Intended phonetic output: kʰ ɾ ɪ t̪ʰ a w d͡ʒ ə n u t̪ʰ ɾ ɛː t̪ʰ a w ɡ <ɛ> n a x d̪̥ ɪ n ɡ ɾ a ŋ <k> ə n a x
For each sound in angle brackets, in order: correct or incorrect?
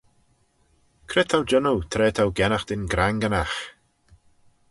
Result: correct, incorrect

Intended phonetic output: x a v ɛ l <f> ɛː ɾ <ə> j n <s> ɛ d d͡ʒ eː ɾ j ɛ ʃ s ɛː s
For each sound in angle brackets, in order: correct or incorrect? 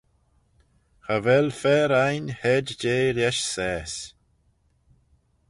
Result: correct, incorrect, incorrect

